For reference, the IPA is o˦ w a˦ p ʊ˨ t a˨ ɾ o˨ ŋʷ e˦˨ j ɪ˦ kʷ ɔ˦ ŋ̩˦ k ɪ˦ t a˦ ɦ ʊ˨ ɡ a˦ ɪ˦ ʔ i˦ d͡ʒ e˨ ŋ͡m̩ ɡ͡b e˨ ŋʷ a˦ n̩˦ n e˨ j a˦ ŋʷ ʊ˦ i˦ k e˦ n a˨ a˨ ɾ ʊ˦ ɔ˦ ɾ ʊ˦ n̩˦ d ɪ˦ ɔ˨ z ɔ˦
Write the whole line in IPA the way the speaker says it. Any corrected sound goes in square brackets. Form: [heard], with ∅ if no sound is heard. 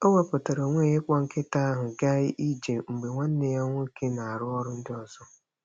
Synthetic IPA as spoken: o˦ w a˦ p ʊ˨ t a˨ ɾ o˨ ŋʷ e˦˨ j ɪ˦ kʷ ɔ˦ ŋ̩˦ k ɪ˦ t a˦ ɦ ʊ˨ ɡ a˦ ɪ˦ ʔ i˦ d͡ʒ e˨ ŋ͡m̩ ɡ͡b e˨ ŋʷ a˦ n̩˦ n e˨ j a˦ ŋʷ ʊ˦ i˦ k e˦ n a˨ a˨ ɾ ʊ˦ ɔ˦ ɾ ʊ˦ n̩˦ d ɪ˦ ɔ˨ z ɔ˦